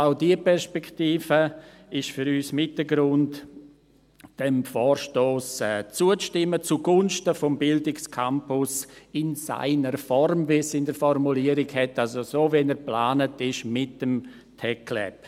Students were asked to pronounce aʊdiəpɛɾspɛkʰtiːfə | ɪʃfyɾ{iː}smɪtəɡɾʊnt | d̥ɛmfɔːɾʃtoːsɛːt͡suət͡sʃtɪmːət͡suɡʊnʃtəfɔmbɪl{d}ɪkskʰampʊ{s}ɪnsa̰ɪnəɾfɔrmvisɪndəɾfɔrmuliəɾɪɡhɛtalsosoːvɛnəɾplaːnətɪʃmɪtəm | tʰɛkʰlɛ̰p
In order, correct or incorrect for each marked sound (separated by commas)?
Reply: incorrect, correct, correct